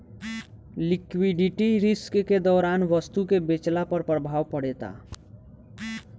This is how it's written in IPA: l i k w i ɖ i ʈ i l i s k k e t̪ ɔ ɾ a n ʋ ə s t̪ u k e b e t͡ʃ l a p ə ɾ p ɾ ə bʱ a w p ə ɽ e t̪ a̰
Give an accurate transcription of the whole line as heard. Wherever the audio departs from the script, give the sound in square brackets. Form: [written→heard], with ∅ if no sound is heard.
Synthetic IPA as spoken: l i k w i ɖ i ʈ i [l→ɾ] i s k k e [t̪→d̪] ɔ ɾ a n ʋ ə s t̪ u k e b e t͡ʃ l a p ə ɾ p ɾ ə bʱ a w p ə ɽ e t̪ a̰